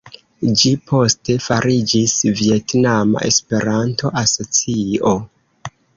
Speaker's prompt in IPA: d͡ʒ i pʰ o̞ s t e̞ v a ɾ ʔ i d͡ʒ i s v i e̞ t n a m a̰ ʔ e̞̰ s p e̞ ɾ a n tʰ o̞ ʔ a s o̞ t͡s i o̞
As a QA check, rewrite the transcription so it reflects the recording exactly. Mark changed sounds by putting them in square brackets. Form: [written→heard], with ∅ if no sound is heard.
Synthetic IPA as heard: d͡ʒ i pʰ o̞ s t e̞ [v→f] a ɾ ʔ i d͡ʒ i s v i e̞ t n a m a̰ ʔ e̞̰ s p e̞ ɾ a n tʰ o̞ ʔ a s o̞ t͡s i o̞